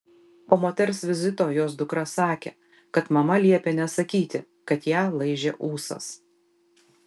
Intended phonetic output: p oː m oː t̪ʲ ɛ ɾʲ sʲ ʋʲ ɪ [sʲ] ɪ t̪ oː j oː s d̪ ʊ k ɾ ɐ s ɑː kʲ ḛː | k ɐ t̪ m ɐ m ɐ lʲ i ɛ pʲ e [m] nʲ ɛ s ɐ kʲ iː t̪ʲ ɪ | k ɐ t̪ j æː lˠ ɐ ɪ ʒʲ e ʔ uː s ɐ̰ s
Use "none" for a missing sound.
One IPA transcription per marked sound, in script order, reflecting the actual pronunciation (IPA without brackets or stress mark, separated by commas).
zʲ, none